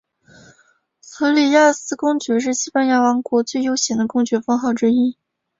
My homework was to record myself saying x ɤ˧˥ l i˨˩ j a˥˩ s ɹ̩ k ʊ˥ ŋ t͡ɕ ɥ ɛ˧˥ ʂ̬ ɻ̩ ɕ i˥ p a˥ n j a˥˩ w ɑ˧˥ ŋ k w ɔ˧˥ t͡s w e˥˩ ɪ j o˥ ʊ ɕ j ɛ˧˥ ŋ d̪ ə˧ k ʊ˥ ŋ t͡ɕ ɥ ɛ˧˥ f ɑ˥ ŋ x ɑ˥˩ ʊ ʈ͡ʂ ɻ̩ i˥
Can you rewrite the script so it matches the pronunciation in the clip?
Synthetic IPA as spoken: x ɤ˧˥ l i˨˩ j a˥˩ s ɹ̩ k ʊ˥ ŋ t͡ɕ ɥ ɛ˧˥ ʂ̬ ɻ̩ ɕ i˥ p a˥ n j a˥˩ w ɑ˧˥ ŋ k w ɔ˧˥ t͡s w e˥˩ ɪ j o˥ ʊ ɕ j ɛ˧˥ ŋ d̪ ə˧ k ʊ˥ ŋ t͡ɕ ɥ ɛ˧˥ f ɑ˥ ŋ x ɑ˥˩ ʊ ʈ͡ʂ ɻ̩ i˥